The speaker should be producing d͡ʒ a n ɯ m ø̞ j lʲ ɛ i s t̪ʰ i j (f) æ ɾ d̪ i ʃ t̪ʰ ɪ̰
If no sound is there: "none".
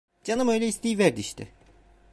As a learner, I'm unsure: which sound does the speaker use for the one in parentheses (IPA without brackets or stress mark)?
v